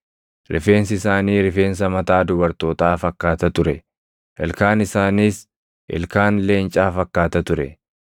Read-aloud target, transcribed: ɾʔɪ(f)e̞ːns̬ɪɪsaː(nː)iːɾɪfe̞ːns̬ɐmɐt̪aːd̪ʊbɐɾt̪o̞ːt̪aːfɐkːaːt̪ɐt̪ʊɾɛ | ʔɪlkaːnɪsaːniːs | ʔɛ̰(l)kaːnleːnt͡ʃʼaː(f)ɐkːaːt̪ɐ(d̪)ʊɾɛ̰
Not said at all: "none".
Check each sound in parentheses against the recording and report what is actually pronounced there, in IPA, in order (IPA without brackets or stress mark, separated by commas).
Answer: f, n, l, f, t̪